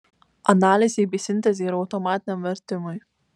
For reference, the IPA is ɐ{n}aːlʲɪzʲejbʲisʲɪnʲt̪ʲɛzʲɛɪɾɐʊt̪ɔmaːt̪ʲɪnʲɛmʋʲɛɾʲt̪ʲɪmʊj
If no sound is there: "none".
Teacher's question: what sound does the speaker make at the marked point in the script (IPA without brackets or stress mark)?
n